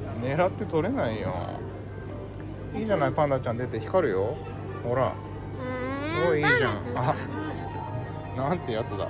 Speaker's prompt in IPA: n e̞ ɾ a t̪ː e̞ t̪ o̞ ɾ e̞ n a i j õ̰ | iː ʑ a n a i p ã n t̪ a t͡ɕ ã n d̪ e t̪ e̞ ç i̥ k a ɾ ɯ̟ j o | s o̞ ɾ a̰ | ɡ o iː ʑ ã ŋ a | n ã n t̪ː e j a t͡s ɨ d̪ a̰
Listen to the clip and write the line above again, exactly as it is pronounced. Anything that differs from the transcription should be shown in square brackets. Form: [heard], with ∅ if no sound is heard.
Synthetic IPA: n e̞ ɾ a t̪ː e̞ t̪ o̞ ɾ e̞ n a i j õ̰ | iː ʑ a n a i p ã n [d̪] a t͡ɕ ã n d̪ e t̪ e̞ ç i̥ k a ɾ ɯ̟ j o | [h] o̞ ɾ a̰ | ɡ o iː ʑ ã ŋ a | n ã n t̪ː e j a t͡s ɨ d̪ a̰